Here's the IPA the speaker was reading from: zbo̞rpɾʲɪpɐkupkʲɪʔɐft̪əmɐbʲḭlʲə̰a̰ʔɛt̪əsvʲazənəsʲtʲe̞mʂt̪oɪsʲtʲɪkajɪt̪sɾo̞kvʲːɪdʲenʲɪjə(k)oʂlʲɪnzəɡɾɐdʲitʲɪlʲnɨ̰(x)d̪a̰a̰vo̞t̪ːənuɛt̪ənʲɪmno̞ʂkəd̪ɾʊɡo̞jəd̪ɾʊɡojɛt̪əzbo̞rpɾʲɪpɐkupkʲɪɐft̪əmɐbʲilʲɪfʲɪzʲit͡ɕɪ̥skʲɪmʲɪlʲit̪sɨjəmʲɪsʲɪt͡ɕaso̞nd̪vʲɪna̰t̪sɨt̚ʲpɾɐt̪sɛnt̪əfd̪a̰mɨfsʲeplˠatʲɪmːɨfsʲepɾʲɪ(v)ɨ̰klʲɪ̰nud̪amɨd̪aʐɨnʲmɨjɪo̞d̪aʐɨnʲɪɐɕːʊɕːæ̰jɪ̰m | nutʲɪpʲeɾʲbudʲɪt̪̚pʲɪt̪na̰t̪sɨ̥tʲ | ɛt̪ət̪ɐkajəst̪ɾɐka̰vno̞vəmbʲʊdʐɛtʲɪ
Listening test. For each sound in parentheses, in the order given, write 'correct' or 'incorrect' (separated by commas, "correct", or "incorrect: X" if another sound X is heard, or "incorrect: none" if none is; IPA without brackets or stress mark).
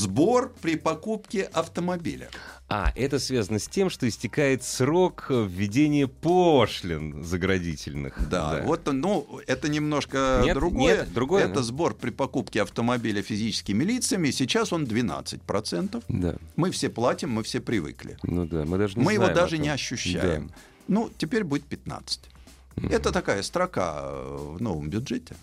incorrect: p, correct, correct